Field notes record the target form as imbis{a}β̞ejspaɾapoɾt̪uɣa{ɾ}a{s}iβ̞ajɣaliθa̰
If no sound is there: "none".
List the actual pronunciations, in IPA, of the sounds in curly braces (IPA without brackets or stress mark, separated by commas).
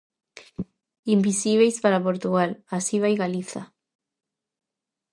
i, l, s